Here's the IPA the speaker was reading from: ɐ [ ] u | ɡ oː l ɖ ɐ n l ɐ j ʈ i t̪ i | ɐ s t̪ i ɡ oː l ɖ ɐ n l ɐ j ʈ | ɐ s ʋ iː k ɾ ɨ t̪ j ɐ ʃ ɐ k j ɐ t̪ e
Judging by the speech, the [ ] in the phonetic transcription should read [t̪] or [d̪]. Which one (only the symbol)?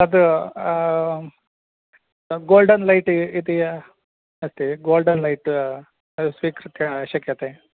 d̪